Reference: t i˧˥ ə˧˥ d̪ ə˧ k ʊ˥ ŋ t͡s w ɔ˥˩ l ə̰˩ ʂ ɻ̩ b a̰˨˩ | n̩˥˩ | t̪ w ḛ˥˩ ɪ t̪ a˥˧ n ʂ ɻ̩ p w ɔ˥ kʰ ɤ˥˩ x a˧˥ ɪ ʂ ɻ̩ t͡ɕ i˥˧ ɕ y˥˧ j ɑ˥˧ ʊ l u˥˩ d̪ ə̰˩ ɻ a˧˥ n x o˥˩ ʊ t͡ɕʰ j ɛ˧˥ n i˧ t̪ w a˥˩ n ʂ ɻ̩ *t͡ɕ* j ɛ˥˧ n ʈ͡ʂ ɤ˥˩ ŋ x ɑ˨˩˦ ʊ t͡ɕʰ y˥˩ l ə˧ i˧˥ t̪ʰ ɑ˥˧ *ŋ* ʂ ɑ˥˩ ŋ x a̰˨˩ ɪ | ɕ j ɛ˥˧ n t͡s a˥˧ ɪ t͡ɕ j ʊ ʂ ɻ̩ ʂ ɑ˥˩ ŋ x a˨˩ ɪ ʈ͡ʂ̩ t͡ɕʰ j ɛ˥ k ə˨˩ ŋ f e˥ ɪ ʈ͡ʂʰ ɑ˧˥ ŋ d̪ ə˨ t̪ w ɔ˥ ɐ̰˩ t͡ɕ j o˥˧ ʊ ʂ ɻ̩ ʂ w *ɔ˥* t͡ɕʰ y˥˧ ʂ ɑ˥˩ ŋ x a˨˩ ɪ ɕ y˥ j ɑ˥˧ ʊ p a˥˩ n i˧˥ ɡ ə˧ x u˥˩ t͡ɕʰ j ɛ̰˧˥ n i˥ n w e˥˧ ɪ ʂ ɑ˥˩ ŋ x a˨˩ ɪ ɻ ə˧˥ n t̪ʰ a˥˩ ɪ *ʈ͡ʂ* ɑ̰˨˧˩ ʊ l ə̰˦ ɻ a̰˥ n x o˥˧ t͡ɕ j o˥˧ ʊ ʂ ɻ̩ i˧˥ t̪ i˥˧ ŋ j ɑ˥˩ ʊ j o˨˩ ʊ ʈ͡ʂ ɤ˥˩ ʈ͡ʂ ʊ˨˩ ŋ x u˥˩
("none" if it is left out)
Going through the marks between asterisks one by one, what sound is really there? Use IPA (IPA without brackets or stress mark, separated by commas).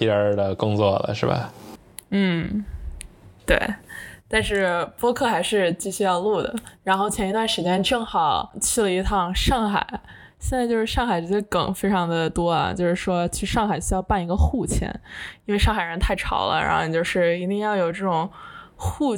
t͡ɕ, ŋ, ɔ˥, ʈ͡ʂʰ